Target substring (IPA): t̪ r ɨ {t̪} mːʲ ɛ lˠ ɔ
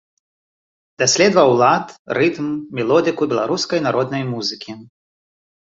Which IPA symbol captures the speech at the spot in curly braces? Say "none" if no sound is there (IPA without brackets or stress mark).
t̪